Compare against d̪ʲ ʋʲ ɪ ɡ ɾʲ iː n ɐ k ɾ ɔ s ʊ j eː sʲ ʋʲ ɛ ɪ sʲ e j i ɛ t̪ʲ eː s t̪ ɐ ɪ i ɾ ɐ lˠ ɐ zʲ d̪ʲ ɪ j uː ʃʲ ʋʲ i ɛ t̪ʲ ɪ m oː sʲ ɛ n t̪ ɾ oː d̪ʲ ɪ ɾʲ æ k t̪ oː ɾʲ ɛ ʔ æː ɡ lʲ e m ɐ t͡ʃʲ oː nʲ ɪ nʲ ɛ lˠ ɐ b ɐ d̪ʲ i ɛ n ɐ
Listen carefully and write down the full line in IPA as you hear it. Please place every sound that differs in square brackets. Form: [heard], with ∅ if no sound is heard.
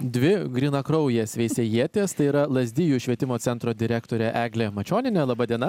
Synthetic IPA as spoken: d̪ʲ ʋʲ ɪ ɡ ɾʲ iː n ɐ k ɾ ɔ [∅] ʊ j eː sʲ ʋʲ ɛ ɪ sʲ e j i ɛ t̪ʲ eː s t̪ ɐ ɪ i ɾ ɐ lˠ ɐ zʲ d̪ʲ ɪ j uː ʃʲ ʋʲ i ɛ t̪ʲ ɪ m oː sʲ ɛ n t̪ ɾ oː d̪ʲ ɪ ɾʲ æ k t̪ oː ɾʲ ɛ ʔ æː ɡ lʲ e m ɐ t͡ʃʲ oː nʲ ɪ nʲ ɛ lˠ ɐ b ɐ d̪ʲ i ɛ n ɐ